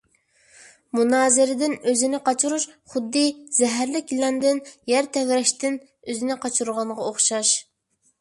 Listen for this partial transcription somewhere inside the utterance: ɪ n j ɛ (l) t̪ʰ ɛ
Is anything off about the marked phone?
yes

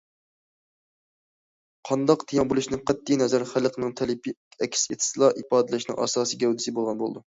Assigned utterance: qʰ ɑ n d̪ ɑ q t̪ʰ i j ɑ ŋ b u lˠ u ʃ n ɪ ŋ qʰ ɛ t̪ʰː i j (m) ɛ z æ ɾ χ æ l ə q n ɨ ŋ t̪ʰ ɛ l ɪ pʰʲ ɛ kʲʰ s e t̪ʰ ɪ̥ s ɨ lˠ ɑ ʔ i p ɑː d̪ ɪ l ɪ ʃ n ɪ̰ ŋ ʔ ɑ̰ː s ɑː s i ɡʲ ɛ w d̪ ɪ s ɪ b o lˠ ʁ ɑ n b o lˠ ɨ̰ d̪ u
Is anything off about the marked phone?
yes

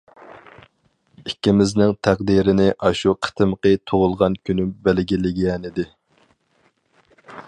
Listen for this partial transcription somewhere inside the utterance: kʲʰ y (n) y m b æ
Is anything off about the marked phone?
no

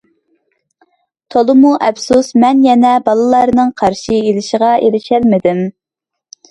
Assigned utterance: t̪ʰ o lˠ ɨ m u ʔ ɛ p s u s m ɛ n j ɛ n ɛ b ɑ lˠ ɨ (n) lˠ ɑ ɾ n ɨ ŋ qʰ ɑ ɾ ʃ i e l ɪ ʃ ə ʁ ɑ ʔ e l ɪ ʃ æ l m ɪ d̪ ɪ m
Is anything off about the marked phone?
yes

